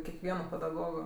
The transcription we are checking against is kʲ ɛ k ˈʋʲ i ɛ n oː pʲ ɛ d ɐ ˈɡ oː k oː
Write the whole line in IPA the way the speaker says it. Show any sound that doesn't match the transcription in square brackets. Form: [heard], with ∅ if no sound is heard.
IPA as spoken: kʲ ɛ k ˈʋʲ i ɛ n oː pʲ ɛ d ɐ ˈɡ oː [ɡ] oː